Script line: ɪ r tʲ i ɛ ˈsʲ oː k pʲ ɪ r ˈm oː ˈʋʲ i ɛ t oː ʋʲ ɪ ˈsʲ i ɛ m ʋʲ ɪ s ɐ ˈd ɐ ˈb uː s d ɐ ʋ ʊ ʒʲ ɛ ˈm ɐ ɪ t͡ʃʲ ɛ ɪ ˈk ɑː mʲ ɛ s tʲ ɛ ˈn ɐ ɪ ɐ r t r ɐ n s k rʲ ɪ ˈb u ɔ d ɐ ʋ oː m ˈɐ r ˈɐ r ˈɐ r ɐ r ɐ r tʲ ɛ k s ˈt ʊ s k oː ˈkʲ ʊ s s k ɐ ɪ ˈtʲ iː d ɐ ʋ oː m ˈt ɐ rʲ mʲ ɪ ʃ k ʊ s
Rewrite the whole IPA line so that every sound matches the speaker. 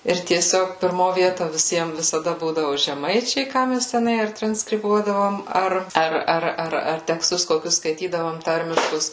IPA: ɪ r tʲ i ɛ ˈsʲ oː k pʲ ɪ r ˈm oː ˈʋʲ i ɛ t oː ʋʲ ɪ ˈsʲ i ɛ m ʋʲ ɪ s ɐ ˈd ɐ ˈb uː d ɐ ʋ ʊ ʒʲ ɛ ˈm ɐ ɪ t͡ʃʲ ɛ ɪ ˈk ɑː mʲ ɛ s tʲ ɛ ˈn ɐ ɪ ɐ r t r ɐ n s k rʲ ɪ ˈb u ɔ d ɐ ʋ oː m ˈɐ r ˈɐ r ˈɐ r ɐ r ɐ r tʲ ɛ k s ˈt ʊ s k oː ˈkʲ ʊ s s k ɐ ɪ ˈtʲ iː d ɐ ʋ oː m ˈt ɐ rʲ mʲ ɪ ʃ k ʊ s